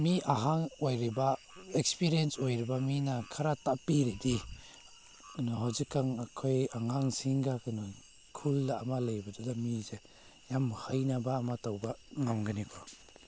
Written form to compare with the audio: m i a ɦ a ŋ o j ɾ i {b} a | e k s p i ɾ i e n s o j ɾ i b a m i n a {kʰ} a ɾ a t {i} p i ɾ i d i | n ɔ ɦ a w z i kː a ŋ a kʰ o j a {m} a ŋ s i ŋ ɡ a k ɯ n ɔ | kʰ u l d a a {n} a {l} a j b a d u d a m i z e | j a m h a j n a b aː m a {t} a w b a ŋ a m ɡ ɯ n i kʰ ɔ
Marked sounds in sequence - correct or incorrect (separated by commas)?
correct, correct, incorrect, incorrect, incorrect, correct, correct